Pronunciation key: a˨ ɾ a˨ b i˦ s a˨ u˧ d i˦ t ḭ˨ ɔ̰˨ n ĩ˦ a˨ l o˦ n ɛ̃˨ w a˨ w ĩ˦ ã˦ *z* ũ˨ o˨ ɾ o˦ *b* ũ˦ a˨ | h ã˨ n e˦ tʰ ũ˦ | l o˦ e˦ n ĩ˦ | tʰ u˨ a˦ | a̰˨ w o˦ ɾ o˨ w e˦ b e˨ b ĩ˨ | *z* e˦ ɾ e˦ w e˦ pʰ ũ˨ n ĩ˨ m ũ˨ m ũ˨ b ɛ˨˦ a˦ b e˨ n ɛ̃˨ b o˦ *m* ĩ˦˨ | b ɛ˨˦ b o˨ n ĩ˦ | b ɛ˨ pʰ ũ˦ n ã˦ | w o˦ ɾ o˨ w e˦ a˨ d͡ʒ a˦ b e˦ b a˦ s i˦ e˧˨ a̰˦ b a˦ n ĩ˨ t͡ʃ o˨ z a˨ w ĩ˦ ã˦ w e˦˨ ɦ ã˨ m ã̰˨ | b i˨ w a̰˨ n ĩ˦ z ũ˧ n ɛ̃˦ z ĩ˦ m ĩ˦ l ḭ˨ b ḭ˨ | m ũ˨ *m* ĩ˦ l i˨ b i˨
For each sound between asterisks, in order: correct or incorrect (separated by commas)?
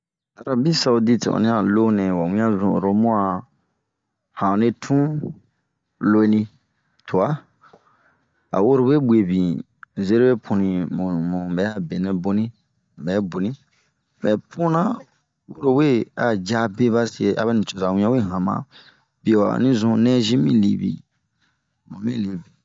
correct, incorrect, correct, incorrect, correct